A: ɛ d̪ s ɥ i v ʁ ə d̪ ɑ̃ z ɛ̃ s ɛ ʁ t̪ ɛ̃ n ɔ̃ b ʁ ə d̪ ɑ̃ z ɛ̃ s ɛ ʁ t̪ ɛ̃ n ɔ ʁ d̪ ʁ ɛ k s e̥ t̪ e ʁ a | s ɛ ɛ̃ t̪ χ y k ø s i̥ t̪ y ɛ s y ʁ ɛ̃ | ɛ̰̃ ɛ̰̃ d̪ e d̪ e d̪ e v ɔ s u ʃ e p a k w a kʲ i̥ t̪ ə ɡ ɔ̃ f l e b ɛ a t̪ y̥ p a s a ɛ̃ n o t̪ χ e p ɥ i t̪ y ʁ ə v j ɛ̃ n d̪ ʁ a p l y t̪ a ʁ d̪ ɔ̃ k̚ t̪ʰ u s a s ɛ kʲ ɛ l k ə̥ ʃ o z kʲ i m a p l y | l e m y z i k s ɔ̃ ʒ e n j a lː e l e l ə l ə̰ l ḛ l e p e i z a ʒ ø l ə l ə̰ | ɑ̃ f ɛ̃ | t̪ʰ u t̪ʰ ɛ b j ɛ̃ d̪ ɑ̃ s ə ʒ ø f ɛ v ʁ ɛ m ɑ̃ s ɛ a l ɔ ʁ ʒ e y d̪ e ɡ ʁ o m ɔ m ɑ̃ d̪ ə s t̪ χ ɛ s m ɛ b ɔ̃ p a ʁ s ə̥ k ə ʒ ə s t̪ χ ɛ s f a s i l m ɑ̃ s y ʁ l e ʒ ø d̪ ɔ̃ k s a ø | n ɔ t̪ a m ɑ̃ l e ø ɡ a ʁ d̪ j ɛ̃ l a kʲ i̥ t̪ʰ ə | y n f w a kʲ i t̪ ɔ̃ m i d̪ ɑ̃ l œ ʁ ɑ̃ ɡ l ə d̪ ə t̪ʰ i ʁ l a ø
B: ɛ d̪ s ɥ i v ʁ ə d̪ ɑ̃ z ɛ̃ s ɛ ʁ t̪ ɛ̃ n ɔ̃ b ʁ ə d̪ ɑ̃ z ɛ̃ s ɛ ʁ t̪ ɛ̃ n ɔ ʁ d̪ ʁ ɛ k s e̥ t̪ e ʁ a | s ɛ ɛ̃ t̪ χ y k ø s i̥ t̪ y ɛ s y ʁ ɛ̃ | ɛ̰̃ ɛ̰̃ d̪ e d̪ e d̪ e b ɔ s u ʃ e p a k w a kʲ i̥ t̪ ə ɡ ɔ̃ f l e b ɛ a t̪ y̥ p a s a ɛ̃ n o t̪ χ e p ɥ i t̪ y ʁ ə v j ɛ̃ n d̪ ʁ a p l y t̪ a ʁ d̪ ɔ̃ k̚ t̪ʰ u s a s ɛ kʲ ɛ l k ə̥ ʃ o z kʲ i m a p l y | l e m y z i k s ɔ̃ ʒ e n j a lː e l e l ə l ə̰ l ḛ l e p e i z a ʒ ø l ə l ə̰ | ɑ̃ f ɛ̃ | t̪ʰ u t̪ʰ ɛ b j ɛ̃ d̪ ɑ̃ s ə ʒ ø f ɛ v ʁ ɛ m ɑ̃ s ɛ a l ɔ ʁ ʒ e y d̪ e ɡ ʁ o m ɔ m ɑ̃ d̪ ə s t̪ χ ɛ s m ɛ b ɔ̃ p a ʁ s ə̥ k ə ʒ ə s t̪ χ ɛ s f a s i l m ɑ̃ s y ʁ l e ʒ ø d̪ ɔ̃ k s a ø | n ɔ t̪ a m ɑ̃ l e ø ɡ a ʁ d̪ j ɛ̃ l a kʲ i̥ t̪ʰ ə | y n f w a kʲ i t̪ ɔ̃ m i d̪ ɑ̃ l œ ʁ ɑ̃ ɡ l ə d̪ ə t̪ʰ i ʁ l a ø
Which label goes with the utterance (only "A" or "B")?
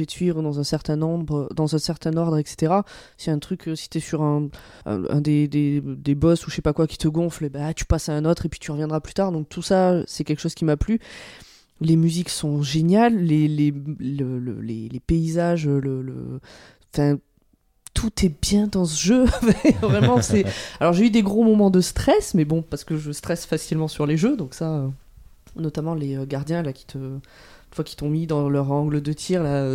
B